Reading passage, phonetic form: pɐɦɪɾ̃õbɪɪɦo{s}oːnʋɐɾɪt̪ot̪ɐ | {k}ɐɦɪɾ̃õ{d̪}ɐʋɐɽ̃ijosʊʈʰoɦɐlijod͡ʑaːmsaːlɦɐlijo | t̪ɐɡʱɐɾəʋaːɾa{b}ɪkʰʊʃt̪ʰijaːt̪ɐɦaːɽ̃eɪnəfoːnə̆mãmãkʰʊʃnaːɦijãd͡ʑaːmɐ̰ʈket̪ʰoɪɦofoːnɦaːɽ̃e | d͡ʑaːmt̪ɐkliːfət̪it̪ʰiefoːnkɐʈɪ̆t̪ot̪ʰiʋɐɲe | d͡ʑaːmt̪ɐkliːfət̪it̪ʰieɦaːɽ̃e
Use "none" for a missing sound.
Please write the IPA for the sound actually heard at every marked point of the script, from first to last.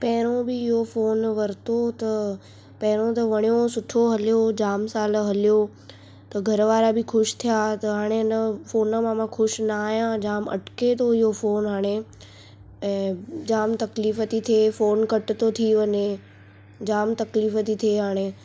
f, p, t̪, b

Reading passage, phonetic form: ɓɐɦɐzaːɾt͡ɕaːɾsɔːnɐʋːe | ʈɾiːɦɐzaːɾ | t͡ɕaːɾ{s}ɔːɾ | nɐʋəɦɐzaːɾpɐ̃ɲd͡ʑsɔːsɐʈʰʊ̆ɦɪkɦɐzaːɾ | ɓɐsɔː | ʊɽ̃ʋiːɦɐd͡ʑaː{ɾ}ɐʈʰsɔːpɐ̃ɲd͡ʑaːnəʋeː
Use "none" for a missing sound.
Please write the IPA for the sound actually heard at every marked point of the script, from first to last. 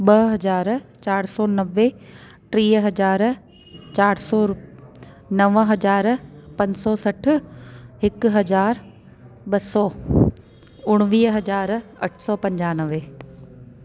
s, ɾ

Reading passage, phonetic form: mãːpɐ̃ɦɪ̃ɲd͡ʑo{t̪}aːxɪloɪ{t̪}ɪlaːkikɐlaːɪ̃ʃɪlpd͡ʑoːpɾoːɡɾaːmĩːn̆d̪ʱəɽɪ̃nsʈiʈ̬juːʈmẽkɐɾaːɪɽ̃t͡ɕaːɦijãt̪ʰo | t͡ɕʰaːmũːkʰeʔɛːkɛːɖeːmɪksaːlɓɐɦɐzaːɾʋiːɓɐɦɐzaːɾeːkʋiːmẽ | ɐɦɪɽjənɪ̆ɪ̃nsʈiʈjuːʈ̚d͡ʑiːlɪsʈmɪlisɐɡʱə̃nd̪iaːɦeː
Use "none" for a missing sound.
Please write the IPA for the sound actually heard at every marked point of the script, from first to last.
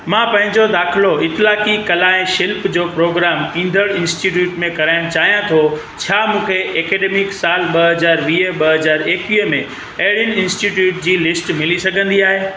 d̪, t̪

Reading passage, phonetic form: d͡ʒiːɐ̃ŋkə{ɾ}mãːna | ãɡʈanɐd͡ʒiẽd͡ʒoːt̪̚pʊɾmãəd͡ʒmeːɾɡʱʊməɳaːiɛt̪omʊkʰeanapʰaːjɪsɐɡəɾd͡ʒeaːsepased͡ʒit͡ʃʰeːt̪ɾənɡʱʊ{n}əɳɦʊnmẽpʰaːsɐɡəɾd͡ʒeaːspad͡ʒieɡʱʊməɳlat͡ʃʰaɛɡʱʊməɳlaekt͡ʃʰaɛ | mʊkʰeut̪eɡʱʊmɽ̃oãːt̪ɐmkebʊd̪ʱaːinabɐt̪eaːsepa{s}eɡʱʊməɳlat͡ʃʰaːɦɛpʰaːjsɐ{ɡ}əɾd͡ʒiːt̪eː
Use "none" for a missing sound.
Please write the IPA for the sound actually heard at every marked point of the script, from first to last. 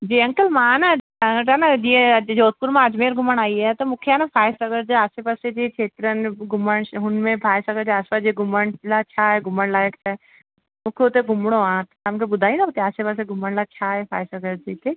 l, m, s, ɡ

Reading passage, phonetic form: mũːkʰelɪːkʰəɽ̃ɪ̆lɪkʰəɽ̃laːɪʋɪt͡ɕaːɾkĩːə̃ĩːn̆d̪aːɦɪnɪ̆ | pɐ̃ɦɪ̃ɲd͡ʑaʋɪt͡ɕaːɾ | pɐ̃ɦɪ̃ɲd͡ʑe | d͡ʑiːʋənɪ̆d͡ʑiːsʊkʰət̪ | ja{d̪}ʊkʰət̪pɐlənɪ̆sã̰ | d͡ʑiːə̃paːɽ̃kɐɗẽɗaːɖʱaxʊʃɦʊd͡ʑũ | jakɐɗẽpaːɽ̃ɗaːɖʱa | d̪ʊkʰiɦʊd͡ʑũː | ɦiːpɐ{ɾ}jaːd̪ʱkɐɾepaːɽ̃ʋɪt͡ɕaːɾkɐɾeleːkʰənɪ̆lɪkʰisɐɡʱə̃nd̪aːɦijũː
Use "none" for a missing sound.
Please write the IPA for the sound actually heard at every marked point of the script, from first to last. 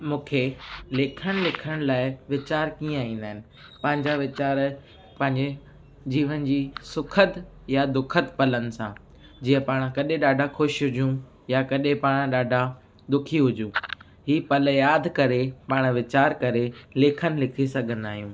d̪, l

